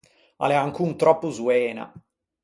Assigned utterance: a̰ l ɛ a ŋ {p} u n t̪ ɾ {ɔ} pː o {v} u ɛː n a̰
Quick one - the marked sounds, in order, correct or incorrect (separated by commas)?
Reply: incorrect, correct, incorrect